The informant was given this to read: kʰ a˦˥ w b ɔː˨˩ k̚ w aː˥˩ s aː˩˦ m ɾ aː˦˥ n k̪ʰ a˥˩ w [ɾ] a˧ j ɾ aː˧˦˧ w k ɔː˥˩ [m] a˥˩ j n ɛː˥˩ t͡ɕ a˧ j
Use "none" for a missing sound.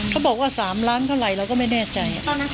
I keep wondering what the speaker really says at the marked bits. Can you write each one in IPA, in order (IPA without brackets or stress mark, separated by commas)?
ɾ, m